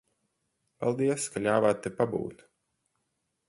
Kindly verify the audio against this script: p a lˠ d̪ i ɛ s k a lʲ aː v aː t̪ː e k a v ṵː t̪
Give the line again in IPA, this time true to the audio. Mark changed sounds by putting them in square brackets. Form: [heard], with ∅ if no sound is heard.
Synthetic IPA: p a lˠ d̪ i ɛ s k a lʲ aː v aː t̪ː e [p] a [b] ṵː t̪